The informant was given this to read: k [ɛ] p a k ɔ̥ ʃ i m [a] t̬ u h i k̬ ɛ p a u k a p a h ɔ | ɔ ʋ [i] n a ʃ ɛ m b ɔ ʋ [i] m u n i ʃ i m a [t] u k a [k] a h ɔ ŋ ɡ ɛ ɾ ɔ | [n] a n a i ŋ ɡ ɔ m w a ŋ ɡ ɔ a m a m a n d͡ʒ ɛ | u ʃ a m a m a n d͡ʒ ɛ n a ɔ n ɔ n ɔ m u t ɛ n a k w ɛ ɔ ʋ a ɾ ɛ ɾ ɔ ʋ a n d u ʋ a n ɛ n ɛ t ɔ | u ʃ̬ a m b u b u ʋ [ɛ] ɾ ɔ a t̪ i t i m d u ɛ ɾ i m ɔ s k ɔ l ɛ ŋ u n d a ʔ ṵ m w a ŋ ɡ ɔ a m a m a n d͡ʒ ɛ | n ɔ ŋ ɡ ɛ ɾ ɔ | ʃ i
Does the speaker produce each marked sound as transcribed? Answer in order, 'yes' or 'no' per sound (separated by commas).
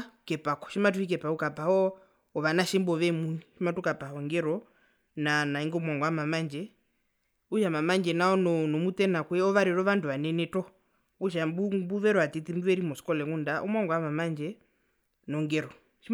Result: yes, yes, no, no, yes, no, yes, yes